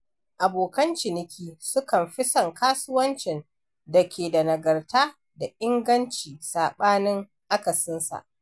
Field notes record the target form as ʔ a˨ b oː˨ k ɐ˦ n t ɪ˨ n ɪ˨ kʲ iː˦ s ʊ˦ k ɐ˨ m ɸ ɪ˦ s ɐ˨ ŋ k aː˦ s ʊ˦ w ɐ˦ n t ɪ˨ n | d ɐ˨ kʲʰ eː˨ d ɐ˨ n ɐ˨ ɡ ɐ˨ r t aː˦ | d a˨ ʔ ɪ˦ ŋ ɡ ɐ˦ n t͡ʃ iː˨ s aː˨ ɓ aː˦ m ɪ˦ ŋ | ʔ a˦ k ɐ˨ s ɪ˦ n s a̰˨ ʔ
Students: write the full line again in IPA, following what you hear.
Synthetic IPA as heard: ʔ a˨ b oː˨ k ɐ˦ n t͡ʃ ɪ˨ n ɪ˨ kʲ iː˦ s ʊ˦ k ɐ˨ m ɸ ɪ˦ s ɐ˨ ŋ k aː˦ s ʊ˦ w ɐ˦ n t͡ʃ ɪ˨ n | d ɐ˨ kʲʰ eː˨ d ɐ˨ n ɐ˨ ɡ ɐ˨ r t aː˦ | d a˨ ʔ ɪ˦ ŋ ɡ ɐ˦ n t͡ʃ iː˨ s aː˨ ɓ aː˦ n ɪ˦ ŋ | ʔ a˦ k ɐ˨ s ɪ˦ n s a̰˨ ʔ